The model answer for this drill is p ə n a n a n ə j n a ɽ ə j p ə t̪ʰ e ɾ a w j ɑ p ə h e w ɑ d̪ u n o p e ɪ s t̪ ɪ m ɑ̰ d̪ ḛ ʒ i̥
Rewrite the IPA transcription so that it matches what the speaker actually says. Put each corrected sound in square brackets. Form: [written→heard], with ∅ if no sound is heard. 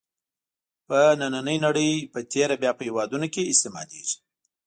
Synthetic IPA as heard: p ə n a n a n ə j n a ɽ ə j p ə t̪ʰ e ɾ a [w→b] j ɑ p ə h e w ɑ d̪ u n o [p→k] e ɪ s t̪ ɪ m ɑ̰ d̪ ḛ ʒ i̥